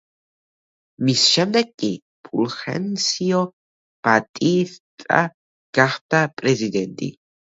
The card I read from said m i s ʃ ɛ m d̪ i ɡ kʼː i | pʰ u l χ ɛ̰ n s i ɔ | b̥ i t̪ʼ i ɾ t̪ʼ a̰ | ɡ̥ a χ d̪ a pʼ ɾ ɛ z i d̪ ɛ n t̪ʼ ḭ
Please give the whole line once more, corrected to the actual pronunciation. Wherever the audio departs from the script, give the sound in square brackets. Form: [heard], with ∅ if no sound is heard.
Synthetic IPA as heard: m i s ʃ ɛ m d̪ [ɛ] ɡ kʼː i | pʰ u l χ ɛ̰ n s i ɔ | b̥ [a] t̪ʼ i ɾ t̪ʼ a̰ | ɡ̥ a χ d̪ a pʼ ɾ ɛ z i d̪ ɛ n t̪ʼ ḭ